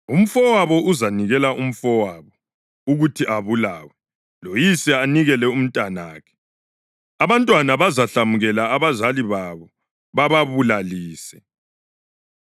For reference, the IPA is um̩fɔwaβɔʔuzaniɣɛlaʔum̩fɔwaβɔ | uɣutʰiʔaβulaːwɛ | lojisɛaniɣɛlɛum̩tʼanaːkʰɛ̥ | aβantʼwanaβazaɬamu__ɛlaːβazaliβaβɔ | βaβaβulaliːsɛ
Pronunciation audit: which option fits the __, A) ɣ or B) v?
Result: A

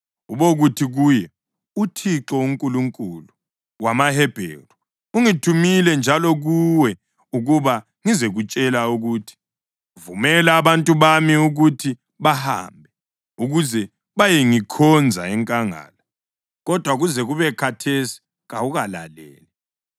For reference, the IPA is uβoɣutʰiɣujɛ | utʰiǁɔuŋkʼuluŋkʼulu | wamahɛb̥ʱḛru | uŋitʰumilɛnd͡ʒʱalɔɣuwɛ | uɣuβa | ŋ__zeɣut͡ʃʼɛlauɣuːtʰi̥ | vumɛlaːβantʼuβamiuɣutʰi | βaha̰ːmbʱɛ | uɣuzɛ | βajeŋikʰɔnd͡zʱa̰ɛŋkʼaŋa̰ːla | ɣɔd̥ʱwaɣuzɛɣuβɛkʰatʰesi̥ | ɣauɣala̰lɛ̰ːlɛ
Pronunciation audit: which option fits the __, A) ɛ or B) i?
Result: B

